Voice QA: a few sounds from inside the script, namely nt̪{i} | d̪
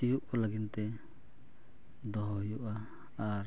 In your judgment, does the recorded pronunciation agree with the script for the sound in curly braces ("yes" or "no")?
no